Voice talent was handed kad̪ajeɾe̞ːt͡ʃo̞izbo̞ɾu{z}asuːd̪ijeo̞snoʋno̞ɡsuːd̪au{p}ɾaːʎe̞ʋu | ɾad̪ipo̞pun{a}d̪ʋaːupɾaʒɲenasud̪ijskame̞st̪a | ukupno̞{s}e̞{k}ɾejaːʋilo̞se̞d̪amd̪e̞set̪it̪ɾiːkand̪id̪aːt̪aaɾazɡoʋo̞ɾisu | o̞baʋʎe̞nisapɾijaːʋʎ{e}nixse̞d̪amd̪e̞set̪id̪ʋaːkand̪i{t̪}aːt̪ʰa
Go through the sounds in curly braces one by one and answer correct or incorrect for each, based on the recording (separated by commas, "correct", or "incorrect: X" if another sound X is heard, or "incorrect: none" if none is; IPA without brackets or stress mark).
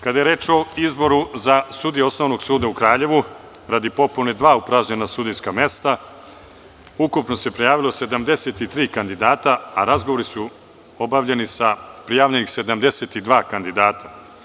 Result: correct, incorrect: k, incorrect: e, correct, incorrect: p, correct, incorrect: d̪